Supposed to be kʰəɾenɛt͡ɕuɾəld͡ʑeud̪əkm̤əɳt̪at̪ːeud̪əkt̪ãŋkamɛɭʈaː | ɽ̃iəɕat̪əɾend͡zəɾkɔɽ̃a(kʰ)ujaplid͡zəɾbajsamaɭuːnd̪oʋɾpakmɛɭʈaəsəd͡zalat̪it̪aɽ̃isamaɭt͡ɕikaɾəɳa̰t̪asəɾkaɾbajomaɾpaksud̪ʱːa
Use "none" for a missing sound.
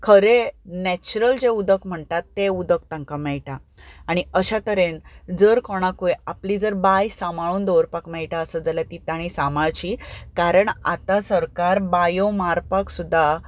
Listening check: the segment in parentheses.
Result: k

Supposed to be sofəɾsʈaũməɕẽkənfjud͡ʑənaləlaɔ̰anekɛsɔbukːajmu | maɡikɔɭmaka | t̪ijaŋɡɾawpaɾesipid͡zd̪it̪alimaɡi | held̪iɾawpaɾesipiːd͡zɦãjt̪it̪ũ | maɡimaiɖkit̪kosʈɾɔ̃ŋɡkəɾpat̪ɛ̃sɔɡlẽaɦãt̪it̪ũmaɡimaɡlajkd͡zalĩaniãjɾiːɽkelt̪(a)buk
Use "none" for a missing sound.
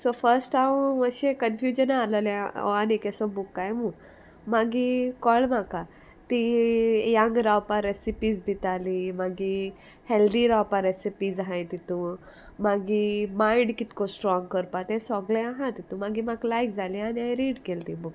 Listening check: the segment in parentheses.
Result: i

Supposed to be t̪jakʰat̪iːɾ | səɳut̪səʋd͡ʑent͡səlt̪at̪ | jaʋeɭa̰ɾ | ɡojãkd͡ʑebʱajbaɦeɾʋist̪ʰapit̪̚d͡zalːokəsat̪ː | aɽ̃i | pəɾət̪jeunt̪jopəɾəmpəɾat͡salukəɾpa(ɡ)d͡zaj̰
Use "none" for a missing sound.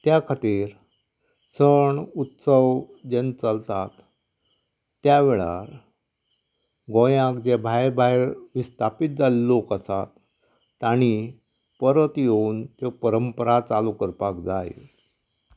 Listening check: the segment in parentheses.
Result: k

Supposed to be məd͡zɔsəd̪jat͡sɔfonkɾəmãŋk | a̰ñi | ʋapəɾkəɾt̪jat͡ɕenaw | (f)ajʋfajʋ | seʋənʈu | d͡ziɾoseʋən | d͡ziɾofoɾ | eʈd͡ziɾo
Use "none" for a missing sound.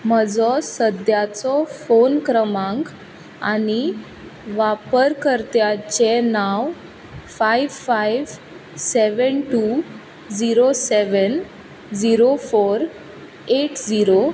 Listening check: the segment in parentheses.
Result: f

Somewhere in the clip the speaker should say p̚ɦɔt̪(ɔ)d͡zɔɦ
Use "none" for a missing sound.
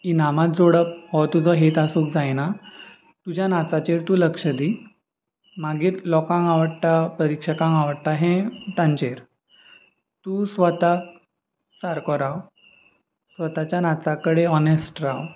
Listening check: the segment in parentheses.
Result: u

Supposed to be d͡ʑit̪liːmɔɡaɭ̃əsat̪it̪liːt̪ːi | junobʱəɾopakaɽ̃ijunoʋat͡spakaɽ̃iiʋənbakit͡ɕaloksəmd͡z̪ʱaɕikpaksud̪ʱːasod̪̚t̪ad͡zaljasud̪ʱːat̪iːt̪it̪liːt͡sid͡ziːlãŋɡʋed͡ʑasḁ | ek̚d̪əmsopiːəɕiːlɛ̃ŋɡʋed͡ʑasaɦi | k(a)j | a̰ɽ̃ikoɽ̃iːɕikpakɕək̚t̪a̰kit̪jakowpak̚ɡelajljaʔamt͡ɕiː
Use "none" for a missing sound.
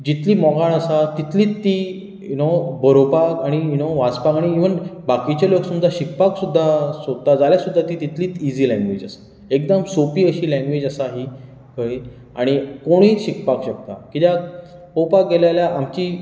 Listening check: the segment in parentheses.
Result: ə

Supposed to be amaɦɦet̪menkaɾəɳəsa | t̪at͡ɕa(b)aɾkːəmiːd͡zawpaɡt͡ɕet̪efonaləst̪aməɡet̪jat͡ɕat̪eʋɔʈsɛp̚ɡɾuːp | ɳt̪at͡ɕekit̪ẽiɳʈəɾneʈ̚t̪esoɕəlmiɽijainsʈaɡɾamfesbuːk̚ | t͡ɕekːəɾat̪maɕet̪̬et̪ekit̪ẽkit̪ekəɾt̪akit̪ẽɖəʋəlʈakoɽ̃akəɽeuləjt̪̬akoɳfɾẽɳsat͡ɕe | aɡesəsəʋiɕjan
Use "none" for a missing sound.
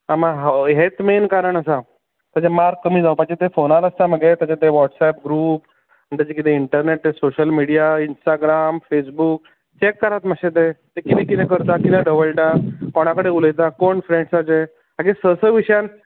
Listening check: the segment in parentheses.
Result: m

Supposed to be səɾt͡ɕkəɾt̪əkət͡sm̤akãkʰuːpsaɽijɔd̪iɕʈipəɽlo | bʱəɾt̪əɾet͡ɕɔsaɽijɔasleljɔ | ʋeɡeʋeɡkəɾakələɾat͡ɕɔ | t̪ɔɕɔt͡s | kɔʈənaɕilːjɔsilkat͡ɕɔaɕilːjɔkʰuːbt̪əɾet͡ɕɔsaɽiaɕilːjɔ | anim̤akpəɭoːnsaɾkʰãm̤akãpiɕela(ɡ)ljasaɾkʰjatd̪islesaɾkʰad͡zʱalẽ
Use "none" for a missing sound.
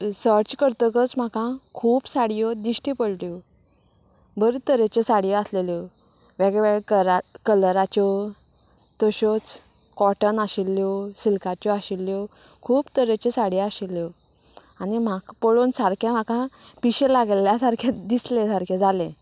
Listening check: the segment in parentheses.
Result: ɡ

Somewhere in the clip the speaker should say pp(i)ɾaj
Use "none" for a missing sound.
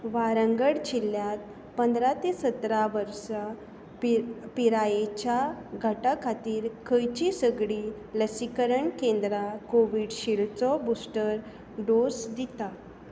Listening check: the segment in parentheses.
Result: i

